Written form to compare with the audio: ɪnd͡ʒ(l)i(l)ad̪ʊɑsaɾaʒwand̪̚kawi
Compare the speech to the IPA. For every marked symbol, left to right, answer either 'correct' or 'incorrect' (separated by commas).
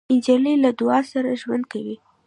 correct, correct